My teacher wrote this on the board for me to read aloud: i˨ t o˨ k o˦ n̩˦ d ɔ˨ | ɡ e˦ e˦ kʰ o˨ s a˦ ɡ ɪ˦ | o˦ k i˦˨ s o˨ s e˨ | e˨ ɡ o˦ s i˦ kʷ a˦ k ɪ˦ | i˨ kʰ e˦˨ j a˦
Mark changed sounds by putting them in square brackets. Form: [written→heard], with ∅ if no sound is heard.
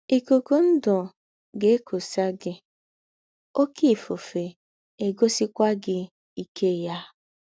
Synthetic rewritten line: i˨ [t→k] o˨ k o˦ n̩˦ d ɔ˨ | ɡ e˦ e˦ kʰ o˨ s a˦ ɡ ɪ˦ | o˦ k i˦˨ [s→f] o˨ [s→f] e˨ | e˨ ɡ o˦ s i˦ kʷ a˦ [k→ɡ] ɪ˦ | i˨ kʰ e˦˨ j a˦